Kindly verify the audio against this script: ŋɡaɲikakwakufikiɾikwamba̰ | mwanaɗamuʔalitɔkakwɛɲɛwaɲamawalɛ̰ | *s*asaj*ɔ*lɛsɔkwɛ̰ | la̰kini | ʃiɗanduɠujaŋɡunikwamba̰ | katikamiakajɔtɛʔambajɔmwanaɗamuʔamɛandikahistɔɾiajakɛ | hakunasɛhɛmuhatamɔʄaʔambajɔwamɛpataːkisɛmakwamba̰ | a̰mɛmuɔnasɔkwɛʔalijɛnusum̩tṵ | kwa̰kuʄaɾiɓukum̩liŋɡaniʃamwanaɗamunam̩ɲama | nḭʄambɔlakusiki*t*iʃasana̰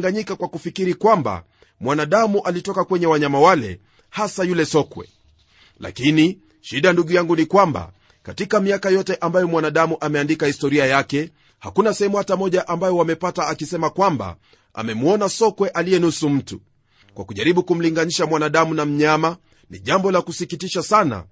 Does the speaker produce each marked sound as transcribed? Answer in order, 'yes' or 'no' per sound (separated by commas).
no, no, yes